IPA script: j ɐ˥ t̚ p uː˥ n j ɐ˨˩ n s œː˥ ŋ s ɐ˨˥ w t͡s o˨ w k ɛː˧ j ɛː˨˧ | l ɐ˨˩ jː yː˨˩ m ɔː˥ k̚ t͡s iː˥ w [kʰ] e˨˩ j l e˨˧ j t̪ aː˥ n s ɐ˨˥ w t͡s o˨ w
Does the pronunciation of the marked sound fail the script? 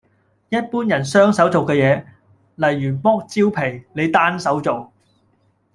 yes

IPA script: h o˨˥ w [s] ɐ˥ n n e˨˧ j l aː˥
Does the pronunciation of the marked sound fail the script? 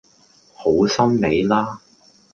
no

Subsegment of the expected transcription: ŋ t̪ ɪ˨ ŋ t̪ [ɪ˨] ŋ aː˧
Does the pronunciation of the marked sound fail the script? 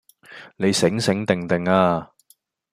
no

